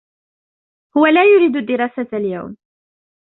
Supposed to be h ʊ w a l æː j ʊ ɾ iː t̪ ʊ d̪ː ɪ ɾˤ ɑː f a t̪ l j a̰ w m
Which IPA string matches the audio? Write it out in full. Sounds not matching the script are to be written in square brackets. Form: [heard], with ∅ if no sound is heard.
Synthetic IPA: h ʊ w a l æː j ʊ ɾ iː [d̪] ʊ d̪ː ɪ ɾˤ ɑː [s] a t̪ l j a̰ w m